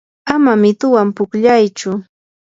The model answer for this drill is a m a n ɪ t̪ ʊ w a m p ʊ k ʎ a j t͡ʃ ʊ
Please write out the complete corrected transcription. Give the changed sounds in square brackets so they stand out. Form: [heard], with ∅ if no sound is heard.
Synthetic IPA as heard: a m a [m] ɪ t̪ ʊ w a m p ʊ k ʎ a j t͡ʃ ʊ